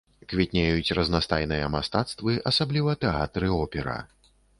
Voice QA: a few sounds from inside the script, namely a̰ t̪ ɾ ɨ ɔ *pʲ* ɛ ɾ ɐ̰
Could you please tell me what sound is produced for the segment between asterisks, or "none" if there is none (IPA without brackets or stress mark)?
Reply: pʲ